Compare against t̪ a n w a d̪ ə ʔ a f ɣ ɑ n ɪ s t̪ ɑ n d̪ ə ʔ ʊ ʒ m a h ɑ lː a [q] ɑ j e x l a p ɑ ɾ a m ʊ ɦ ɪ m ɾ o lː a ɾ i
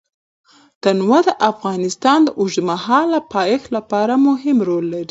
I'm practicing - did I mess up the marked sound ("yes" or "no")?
yes